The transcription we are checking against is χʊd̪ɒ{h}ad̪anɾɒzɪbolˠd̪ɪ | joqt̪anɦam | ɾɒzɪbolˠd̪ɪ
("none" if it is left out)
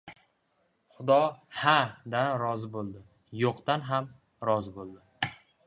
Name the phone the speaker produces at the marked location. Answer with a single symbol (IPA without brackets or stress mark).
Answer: h